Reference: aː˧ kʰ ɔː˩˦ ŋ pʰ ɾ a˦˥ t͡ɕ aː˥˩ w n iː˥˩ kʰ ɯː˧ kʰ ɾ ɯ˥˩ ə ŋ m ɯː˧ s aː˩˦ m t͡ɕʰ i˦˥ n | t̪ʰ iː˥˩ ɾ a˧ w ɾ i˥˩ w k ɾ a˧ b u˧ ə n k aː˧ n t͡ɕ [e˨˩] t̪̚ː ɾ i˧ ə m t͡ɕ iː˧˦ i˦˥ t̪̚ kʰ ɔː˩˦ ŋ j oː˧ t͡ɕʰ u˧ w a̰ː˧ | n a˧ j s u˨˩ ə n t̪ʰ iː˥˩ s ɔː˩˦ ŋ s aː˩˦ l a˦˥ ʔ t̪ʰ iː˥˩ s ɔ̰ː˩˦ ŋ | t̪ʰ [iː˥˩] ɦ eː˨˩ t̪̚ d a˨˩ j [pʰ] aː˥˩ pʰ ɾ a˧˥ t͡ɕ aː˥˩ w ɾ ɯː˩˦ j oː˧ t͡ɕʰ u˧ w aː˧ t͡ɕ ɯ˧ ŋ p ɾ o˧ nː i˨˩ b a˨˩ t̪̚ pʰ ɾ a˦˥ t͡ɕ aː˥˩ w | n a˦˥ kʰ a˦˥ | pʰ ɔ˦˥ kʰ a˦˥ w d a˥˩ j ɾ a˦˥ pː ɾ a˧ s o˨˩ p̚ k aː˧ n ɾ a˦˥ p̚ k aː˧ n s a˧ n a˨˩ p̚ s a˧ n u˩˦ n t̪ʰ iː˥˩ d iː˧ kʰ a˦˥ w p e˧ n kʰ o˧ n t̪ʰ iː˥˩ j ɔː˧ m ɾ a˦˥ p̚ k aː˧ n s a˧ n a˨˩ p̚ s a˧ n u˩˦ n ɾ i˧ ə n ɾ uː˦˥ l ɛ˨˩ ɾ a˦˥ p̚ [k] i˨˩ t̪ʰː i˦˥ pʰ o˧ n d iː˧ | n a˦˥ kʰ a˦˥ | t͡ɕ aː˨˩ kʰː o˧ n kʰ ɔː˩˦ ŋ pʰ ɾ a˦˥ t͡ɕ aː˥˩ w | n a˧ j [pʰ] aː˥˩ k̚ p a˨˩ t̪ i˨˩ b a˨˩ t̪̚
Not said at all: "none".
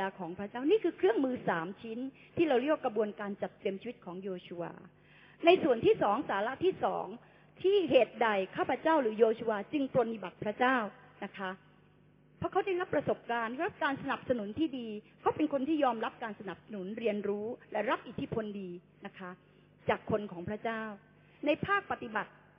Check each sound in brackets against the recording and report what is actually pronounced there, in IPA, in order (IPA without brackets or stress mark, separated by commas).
a˨˩, iː˥˩, kʰ, ʔ, pʰ